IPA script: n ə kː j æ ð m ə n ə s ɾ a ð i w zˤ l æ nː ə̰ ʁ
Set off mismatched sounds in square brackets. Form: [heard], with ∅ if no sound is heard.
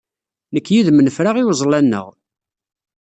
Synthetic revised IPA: n ə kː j [i] ð m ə n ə [f] ɾ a [ʁ] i w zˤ l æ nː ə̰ ʁ